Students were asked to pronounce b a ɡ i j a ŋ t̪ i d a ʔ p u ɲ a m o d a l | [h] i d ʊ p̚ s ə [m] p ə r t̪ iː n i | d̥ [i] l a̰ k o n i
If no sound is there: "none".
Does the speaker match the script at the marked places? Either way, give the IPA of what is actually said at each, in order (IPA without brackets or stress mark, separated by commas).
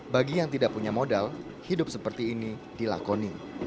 h, none, i